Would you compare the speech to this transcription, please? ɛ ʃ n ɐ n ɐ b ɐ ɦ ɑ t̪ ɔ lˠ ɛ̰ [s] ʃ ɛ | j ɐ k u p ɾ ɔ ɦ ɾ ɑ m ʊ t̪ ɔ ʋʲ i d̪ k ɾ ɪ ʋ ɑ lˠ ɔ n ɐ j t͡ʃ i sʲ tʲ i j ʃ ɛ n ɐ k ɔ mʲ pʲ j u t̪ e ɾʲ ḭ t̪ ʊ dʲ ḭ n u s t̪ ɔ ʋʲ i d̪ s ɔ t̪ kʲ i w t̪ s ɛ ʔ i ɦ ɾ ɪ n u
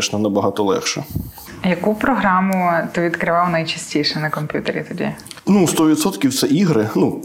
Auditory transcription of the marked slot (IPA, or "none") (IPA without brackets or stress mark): x